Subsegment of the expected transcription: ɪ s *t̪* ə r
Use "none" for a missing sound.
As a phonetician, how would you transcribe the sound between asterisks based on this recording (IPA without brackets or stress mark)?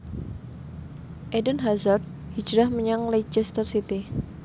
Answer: t̪